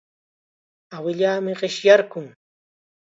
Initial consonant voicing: voiced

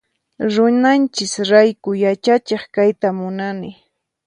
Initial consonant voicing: voiced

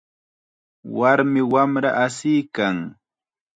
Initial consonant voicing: voiced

